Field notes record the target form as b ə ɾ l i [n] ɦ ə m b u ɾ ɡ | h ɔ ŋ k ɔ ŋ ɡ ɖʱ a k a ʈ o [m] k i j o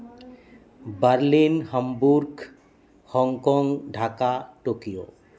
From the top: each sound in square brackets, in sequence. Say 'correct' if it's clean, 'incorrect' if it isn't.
correct, incorrect: none

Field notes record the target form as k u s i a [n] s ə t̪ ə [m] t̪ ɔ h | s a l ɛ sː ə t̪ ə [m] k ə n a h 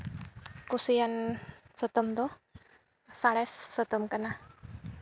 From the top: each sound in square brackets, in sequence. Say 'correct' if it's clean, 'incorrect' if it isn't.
correct, correct, correct

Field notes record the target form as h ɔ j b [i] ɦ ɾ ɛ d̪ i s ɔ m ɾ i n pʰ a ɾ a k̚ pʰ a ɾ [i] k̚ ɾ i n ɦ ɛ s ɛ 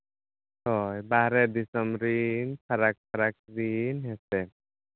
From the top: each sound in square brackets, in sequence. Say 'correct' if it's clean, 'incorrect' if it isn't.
incorrect: a, incorrect: a

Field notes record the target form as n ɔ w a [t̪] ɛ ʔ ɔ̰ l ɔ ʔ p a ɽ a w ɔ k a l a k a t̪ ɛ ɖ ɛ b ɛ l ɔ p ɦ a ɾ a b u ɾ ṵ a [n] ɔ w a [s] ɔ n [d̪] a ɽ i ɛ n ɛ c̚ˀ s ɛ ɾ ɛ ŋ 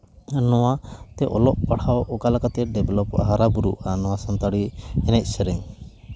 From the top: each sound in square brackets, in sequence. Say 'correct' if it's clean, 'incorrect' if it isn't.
correct, correct, correct, incorrect: t̪

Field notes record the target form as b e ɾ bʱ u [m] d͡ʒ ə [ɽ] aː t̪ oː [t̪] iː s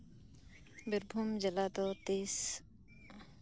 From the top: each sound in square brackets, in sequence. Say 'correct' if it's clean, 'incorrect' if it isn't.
correct, incorrect: l, correct

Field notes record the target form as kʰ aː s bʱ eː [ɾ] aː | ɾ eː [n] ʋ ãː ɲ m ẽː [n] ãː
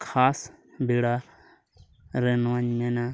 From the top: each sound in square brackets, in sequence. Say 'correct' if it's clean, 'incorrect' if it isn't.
incorrect: ɽ, correct, correct

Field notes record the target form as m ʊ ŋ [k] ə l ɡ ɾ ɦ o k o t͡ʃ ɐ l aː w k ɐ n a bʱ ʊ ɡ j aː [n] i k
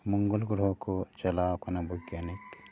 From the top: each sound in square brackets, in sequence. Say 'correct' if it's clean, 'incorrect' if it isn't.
incorrect: ɡ, correct

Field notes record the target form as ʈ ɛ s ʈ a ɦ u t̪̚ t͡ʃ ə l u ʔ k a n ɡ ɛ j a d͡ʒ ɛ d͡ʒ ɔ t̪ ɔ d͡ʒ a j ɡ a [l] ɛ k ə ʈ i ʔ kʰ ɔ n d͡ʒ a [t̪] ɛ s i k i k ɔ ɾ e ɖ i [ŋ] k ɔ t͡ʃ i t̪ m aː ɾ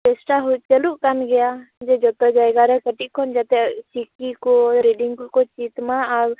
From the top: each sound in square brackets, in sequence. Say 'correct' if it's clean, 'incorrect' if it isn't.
incorrect: ɾ, correct, correct

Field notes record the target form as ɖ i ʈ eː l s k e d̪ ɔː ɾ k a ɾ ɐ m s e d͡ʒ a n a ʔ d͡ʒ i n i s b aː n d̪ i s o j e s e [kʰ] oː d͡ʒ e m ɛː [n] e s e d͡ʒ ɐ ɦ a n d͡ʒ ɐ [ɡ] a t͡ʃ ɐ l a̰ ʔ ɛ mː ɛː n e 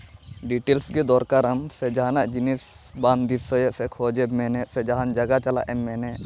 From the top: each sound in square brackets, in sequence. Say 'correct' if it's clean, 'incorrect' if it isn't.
correct, correct, correct

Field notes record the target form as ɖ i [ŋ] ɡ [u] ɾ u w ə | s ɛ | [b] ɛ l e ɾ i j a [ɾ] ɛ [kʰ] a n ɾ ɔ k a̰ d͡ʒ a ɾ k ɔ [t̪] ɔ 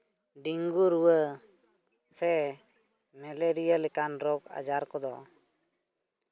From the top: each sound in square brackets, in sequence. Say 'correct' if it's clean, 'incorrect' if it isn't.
correct, correct, incorrect: m, incorrect: l, incorrect: k, incorrect: d̪

